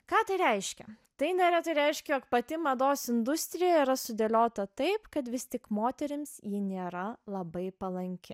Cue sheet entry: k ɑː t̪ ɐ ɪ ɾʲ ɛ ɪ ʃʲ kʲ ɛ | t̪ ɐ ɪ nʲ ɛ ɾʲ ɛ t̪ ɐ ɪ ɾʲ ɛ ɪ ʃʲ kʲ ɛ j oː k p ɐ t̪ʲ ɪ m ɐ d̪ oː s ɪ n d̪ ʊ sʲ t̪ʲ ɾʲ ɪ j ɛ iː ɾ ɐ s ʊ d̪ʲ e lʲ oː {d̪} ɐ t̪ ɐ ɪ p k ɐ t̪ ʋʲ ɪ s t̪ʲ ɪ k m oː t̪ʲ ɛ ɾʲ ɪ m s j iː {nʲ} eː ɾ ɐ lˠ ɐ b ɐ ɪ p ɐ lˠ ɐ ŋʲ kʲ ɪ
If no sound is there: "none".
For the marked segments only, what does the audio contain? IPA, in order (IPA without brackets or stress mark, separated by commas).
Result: t̪, nʲ